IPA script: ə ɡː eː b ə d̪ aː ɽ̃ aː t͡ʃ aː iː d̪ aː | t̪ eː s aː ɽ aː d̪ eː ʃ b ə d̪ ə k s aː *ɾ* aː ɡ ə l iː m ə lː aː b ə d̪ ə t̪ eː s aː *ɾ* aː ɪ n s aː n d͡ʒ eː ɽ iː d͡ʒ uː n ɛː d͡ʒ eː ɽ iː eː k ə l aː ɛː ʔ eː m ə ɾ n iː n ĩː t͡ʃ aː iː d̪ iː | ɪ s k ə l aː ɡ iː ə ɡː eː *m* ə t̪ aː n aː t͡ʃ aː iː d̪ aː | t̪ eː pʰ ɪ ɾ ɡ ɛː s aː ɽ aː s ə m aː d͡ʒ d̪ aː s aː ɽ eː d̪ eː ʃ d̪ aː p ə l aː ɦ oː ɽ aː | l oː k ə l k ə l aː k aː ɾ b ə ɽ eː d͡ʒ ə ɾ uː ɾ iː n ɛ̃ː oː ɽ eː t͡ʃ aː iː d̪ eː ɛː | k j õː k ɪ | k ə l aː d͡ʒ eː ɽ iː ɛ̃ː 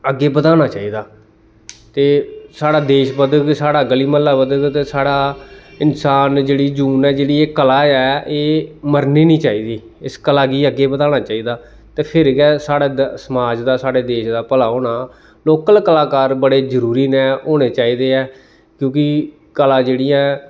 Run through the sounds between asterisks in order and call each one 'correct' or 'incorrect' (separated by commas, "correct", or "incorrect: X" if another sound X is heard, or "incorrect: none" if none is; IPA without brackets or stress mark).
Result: incorrect: ɽ, incorrect: ɽ, incorrect: b